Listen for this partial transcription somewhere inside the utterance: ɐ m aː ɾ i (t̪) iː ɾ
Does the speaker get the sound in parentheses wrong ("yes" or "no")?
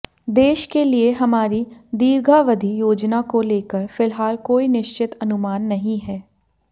yes